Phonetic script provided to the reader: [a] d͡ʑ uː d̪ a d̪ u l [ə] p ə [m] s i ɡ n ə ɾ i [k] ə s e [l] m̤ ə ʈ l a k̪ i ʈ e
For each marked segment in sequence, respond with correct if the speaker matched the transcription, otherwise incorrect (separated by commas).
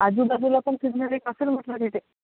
correct, incorrect, incorrect, correct, correct